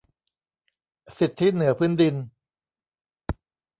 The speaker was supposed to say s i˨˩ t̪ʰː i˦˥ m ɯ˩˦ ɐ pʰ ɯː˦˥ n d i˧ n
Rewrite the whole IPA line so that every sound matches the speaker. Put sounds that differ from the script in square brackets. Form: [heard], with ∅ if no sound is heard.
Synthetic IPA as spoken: s i˨˩ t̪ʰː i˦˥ [n] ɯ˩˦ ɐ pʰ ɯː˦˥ n d i˧ n